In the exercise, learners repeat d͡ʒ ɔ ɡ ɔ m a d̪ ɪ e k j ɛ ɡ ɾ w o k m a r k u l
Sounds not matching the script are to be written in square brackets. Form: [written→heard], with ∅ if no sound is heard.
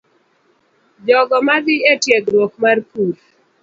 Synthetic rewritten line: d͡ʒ ɔ ɡ ɔ m a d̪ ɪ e [k→t] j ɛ ɡ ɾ w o k m a r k u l